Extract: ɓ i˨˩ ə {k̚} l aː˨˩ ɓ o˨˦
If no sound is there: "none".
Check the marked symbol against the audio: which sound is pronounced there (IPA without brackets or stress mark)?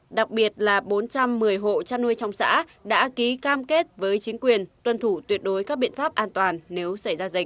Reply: t̚